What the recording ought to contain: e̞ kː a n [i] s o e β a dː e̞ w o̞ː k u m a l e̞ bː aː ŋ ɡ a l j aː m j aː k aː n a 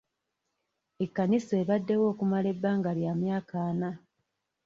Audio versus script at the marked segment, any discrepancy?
no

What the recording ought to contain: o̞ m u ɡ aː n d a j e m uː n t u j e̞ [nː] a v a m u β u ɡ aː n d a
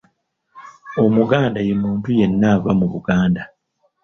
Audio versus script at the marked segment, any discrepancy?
no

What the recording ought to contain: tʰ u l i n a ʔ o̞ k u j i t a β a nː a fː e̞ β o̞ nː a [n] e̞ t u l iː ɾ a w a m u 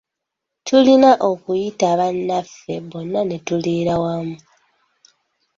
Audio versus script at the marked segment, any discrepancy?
no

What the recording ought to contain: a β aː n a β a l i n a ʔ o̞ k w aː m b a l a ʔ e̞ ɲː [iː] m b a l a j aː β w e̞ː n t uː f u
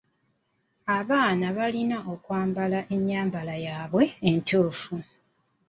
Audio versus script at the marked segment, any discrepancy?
yes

